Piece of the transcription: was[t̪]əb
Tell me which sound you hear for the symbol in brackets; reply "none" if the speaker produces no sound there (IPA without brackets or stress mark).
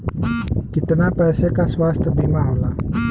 t̪